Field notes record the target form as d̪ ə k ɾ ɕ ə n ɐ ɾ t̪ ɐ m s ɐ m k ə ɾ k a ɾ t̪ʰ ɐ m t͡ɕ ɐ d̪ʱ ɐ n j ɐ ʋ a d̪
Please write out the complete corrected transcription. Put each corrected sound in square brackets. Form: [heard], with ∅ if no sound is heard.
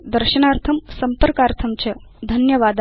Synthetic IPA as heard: d̪ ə [∅] ɾ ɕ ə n [a] ɾ [t̪ʰ] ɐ m s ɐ m [p] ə ɾ k a ɾ t̪ʰ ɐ m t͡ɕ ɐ d̪ʱ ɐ n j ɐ ʋ a d̪